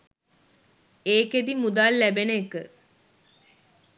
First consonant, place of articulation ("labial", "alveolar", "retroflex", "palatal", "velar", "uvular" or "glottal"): velar